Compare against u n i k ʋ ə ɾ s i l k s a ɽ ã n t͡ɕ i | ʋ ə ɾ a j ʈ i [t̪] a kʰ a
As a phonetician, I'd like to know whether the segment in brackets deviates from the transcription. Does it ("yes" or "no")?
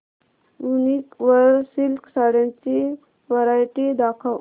yes